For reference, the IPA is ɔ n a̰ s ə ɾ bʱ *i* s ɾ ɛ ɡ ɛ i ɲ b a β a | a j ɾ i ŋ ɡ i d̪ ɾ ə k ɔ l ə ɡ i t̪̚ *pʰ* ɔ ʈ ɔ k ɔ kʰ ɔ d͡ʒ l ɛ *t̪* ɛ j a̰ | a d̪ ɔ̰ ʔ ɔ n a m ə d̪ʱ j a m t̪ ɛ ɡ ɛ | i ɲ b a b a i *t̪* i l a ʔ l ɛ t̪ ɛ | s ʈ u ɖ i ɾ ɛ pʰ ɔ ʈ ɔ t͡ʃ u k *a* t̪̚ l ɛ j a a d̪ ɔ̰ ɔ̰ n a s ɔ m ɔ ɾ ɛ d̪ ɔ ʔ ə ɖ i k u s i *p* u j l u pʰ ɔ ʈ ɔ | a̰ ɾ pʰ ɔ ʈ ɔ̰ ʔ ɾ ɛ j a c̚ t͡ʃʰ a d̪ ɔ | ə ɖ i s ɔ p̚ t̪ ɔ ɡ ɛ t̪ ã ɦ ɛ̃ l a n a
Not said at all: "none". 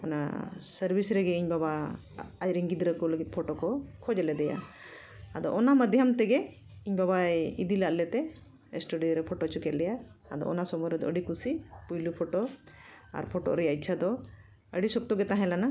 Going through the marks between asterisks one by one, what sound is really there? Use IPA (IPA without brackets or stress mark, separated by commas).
i, pʰ, d̪, d̪, ɛ, p